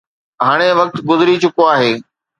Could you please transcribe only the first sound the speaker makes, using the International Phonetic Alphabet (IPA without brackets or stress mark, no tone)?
ɦ